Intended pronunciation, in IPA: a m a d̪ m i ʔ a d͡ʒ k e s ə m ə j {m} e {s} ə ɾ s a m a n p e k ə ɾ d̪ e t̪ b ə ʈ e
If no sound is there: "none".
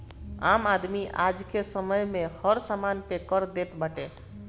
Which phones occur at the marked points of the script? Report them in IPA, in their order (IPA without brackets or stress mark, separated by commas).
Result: m, h